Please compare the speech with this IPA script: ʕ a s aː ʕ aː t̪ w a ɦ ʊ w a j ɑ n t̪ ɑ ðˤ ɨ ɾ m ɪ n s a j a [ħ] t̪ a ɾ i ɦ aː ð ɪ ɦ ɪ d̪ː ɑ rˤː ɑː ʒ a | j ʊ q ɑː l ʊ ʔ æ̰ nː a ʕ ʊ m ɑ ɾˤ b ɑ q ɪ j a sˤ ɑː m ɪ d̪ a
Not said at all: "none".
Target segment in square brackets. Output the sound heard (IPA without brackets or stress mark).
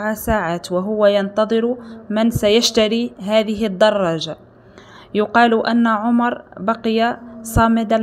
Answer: ʃ